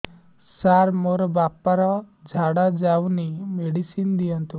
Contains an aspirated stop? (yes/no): no